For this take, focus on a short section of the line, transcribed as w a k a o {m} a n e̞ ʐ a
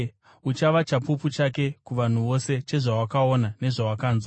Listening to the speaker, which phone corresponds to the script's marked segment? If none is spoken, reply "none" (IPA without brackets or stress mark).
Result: n